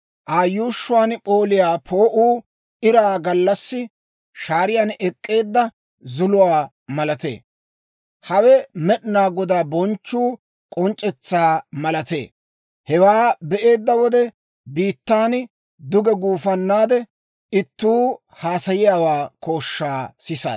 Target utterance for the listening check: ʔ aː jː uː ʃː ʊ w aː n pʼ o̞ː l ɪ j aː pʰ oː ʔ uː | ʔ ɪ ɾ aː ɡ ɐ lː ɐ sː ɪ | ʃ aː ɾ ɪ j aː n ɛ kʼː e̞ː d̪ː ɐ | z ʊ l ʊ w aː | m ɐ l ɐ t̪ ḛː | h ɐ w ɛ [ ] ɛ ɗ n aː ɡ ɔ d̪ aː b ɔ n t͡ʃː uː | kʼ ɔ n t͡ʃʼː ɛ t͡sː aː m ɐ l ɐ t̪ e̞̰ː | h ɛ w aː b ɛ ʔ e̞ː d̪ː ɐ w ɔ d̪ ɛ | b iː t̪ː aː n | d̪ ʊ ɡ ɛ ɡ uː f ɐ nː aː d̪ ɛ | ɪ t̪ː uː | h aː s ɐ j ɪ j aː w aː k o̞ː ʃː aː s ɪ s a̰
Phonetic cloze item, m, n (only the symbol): m